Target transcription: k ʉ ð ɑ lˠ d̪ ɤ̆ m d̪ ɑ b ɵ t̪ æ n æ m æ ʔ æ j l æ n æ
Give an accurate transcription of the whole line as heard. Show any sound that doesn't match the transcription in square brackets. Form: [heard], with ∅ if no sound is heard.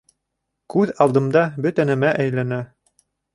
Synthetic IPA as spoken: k ʉ ð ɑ lˠ d̪ ɤ̆ m d̪ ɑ b ɵ t̪ æ n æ m æ ʔ æ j l æ n æ